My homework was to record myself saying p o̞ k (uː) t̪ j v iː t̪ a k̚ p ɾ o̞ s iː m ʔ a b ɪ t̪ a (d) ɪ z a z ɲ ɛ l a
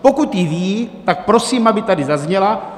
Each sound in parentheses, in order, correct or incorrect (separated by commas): incorrect, correct